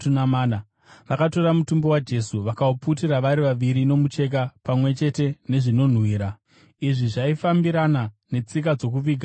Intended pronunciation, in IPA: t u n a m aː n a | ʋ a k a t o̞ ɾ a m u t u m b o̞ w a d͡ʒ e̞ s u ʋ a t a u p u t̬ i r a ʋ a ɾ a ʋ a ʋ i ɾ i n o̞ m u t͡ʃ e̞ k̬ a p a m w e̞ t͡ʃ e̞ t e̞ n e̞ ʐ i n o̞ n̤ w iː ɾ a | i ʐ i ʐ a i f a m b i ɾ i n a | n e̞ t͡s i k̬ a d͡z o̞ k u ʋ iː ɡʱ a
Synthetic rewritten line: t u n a m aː n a | ʋ a k a t o̞ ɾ a m u t u m b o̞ w a d͡ʒ e̞ s u ʋ a k a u p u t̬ i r a ʋ a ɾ i ʋ a ʋ i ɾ i n o̞ m u t͡ʃ e̞ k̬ a p a m w e̞ t͡ʃ e̞ t e̞ n e̞ ʐ i n o̞ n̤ w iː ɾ a | i ʐ i ʐ a i f a m b i ɾ a n a | n e̞ t͡s i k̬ a d͡z o̞ k u ʋ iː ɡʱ a